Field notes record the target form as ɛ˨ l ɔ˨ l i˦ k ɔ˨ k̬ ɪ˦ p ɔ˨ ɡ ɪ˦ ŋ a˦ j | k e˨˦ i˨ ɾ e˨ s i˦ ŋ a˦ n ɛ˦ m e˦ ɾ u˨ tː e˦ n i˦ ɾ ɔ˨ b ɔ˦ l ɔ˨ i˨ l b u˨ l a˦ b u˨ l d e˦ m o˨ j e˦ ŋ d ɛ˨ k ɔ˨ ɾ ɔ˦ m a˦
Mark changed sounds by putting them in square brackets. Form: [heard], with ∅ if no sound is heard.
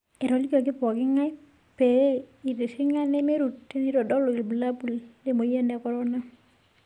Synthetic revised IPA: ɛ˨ [ɾ] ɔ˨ l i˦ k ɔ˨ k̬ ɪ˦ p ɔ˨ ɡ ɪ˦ ŋ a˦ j | [p] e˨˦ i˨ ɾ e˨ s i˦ ŋ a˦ n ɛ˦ m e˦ ɾ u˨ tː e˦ n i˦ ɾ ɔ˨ [d] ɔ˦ l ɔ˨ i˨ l b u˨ l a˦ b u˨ l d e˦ m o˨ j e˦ [n] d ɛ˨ k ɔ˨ ɾ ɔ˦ [n] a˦